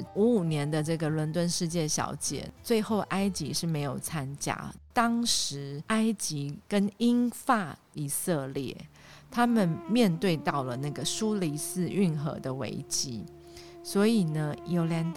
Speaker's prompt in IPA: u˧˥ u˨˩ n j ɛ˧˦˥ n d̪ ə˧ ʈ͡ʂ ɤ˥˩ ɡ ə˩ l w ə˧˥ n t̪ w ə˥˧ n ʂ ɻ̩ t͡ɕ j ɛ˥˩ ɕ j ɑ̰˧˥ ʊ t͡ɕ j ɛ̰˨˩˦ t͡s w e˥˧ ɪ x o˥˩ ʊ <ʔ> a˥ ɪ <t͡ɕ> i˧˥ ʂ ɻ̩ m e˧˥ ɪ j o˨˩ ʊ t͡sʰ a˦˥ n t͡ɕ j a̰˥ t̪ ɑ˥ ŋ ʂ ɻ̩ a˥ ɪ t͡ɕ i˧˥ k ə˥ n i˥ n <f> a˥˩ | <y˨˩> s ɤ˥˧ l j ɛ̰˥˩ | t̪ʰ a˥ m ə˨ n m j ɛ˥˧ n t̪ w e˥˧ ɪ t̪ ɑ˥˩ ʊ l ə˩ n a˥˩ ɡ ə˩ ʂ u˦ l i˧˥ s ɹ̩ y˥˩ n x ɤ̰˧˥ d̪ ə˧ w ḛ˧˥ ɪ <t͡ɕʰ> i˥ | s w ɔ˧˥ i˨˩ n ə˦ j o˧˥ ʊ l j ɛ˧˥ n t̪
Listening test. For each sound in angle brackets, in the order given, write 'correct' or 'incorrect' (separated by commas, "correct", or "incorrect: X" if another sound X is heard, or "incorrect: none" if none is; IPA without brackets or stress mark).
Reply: correct, correct, correct, incorrect: i˨˩, incorrect: t͡ɕ